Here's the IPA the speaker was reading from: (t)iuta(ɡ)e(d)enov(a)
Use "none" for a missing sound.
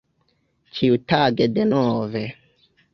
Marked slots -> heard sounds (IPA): t͡ʃ, ɡ, d, e

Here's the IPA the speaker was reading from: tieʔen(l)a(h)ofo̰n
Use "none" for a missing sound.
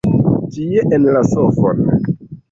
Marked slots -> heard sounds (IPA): l, s

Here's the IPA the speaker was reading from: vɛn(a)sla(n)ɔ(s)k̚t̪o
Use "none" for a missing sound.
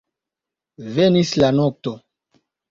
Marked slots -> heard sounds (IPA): i, n, none

